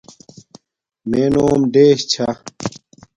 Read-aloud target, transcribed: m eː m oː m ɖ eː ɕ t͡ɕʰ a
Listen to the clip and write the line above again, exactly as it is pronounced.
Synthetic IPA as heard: m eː n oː m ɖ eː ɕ t͡ɕʰ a